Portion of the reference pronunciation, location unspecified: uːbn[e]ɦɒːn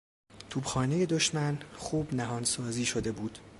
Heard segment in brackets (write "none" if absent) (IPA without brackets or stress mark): æ